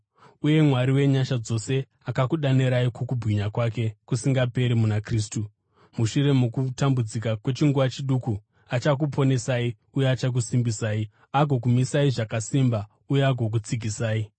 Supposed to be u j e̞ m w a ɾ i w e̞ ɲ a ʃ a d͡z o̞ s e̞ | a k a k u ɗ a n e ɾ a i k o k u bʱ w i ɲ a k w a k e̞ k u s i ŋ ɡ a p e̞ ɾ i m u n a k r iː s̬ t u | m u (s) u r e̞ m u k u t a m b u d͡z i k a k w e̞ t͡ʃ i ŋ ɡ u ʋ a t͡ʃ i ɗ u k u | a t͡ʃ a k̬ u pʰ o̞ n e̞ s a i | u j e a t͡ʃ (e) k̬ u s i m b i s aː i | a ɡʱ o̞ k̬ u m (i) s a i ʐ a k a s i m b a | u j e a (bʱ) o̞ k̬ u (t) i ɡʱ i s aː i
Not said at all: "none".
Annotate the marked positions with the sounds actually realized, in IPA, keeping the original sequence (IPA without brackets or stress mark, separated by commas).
ʃ, a, i, ɡʱ, t͡s